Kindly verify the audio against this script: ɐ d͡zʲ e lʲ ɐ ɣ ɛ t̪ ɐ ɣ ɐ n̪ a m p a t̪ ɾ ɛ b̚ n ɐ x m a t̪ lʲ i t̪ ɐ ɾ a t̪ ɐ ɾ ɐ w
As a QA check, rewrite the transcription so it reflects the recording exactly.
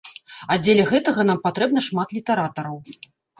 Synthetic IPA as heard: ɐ d͡zʲ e lʲ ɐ ɣ ɛ t̪ ɐ ɣ ɐ n̪ a m p a t̪ ɾ ɛ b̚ n ɐ ʂ m a t̪ lʲ i t̪ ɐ ɾ a t̪ ɐ ɾ ɐ w

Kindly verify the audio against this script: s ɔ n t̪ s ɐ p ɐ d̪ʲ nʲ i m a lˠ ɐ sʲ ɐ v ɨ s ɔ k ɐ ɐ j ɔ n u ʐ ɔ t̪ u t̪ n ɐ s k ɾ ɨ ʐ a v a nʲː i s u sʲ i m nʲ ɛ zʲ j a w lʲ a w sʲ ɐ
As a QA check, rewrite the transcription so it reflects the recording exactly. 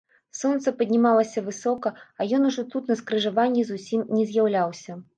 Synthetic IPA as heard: s ɔ n t̪ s ɐ p ɐ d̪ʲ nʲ i m a lˠ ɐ sʲ ɐ v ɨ s ɔ k ɐ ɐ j ɔ n u ʐ ɔ t̪ u t̪ n ɐ s k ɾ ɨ ʐ a v a nʲː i z u sʲ i m nʲ ɛ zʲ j a w lʲ a w sʲ ɐ

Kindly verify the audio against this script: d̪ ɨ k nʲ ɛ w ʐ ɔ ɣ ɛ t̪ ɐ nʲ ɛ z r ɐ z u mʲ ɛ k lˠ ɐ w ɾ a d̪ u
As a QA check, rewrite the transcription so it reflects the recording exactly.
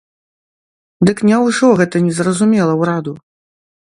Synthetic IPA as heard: d̪ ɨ k nʲ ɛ w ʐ ɔ ɣ ɛ t̪ ɐ nʲ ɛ z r ɐ z u mʲ ɛ lˠ ɐ w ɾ a d̪ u

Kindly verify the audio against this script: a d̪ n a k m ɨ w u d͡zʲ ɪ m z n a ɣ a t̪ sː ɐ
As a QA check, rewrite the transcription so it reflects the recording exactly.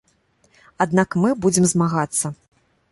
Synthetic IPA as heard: a d̪ n a k m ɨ b u d͡zʲ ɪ m z m a ɣ a t̪ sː ɐ

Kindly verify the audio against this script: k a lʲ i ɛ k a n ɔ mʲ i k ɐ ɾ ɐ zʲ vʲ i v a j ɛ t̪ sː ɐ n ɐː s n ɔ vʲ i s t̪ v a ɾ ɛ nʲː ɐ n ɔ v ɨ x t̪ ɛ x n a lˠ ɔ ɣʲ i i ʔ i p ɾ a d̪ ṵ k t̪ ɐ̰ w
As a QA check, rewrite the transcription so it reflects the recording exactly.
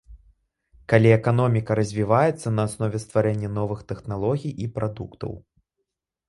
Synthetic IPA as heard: k a lʲ i ɛ k a n ɔ mʲ i k ɐ ɾ ɐ zʲ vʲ i v a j ɛ t̪ sː ɐ n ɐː s n ɔ vʲ ɛ s t̪ v a ɾ ɛ nʲː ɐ n ɔ v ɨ x t̪ ɛ x n a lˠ ɔ ɣʲ i j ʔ i p ɾ a d̪ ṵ k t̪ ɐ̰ w

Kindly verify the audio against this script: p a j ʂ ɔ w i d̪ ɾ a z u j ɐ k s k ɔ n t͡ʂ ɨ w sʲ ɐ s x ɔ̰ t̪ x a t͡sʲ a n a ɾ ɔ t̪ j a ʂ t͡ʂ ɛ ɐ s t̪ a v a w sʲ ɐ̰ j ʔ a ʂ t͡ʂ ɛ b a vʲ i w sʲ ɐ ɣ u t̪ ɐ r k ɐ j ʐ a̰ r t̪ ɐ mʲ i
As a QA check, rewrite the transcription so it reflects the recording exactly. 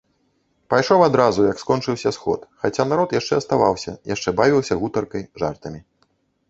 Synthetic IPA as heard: p a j ʂ ɔ w a d̪ ɾ a z u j ɐ k s k ɔ n t͡ʂ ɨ w sʲ ɐ s x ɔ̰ t̪ x a t͡sʲ a n a ɾ ɔ t̪ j a ʂ t͡ʂ ɛ ɐ s t̪ a v a w sʲ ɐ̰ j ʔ a ʂ t͡ʂ ɛ b a vʲ i w sʲ ɐ ɣ u t̪ ɐ r k ɐ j ʐ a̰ r t̪ ɐ mʲ i

